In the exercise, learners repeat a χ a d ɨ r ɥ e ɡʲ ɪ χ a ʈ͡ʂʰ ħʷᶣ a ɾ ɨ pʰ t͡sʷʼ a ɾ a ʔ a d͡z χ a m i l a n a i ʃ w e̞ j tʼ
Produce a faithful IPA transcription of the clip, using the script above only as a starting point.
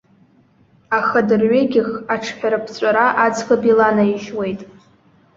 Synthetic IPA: a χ a d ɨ r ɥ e ɡʲ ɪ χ a ʈ͡ʂʰ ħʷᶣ a ɾ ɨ pʰ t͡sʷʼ a ɾ a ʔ a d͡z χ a b i l a n a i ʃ w e̞ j tʼ